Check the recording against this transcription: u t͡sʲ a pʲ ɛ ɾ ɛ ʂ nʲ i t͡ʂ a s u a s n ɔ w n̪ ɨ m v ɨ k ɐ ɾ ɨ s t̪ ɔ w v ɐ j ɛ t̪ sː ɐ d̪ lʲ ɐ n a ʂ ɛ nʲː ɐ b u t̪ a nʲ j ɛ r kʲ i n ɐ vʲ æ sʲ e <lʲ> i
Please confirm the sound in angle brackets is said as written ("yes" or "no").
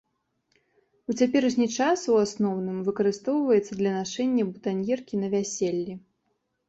no